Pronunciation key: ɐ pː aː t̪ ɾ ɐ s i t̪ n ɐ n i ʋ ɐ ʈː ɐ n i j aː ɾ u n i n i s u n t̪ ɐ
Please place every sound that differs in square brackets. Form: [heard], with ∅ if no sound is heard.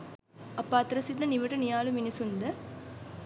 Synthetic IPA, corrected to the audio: ɐ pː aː t̪ ɾ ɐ s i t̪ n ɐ n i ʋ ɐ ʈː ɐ n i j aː [l] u [m] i n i s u n [d̪] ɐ